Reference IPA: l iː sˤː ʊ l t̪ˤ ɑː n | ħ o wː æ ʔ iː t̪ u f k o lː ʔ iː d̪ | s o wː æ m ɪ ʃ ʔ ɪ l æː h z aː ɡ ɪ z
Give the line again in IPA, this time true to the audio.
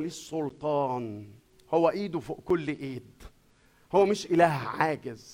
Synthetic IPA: l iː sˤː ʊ l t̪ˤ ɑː n | h o wː æ ʔ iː d̪ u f k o lː ʔ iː d̪ | h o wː æ m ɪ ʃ ʔ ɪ l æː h ʕ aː ɡ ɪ z